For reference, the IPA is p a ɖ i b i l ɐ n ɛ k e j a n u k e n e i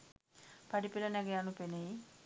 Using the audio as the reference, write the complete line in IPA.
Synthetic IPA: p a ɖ i p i l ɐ n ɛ ɡ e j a n u p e n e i